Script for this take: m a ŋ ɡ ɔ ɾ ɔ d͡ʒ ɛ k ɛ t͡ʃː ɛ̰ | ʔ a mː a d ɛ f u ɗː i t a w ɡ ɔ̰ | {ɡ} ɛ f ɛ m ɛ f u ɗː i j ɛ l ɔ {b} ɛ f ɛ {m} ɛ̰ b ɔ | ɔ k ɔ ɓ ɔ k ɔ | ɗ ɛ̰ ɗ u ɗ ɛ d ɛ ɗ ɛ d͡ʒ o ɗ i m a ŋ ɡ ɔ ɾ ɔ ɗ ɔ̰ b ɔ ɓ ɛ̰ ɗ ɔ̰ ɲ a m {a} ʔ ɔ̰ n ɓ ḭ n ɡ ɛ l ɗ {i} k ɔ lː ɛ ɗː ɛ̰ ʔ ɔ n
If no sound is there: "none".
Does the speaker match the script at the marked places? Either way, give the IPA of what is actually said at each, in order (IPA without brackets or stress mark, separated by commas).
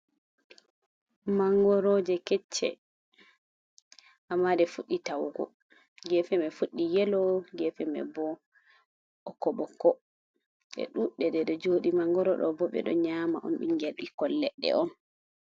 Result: ɡ, ɡ, m, a, i